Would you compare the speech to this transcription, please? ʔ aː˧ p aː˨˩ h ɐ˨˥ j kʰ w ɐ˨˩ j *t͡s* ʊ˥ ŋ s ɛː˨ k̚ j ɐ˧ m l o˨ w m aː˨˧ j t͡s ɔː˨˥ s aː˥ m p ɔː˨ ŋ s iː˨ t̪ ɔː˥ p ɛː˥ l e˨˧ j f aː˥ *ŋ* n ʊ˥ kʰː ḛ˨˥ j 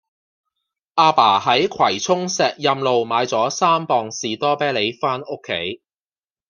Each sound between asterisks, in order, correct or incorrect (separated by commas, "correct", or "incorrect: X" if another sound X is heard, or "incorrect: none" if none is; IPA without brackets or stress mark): incorrect: t͡sʰ, incorrect: none